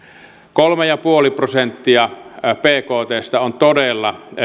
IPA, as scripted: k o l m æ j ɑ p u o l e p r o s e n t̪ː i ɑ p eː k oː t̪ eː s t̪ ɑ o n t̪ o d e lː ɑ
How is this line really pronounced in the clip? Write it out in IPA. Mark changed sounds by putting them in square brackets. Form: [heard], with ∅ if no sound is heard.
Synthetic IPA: k o l m [e] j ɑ p u o l [i] p r o s e n t̪ː i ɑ p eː k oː t̪ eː s t̪ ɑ o n t̪ o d e lː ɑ